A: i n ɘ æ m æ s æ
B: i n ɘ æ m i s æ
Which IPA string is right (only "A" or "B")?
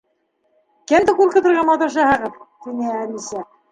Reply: B